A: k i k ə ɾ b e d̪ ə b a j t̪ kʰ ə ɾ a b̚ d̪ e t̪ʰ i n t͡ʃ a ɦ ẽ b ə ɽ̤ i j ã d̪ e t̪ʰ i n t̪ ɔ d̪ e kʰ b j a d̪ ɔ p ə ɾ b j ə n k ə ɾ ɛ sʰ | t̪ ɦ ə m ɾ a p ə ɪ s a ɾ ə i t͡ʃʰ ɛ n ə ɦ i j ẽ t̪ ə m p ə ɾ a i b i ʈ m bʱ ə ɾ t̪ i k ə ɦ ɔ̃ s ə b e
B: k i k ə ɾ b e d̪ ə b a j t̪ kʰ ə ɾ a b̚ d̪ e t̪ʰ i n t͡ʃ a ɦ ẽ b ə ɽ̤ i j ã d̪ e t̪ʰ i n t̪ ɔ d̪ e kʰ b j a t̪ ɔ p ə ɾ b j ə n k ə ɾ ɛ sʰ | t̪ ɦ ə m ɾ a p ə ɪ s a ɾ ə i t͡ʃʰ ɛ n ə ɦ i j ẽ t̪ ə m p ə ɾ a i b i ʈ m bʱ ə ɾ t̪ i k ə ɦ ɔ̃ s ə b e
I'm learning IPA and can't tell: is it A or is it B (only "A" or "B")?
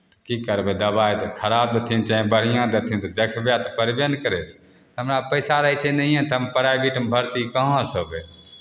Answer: B